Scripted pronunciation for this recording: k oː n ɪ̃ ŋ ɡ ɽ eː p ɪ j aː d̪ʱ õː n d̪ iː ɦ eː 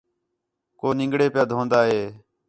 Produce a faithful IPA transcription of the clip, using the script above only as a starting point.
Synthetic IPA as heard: k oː n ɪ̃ ŋ ɡ ɽ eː p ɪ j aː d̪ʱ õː n d̪ aː ɦ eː